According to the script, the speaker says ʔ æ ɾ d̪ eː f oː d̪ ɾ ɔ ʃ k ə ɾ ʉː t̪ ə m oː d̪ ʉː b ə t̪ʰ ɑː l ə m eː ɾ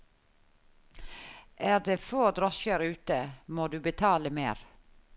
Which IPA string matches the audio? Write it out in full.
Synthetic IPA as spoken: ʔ æː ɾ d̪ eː f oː d̪ ɾ ɔ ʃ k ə ɾ ʉː t̪ ə m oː d̪ ʉː b ə t̪ʰ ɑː l ə m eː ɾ